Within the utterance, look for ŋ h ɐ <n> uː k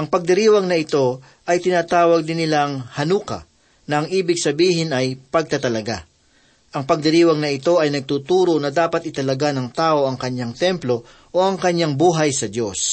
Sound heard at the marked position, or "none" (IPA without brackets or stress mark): n